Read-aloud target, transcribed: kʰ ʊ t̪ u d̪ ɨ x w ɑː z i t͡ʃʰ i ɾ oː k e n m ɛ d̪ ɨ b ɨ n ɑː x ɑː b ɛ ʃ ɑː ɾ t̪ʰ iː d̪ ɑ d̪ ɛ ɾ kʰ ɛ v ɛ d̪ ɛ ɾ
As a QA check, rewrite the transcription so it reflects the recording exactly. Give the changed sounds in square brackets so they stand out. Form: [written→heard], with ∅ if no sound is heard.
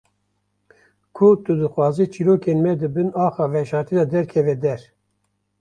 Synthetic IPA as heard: kʰ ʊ t̪ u d̪ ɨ x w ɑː z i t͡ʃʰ i ɾ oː k e n m ɛ d̪ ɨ b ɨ n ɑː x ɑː [b→v] ɛ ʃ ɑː ɾ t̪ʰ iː d̪ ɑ d̪ ɛ ɾ kʰ ɛ v ɛ d̪ ɛ ɾ